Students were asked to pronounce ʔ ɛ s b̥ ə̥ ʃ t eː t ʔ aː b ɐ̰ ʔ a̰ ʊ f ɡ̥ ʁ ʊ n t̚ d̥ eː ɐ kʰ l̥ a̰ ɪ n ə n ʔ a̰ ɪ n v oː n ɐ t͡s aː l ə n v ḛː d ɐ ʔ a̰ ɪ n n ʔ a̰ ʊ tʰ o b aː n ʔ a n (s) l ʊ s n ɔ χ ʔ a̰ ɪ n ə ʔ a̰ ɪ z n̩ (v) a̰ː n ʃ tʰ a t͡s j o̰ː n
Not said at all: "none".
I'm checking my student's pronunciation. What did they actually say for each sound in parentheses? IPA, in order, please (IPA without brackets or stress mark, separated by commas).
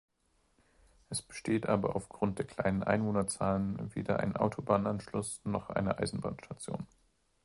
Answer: ʃ, b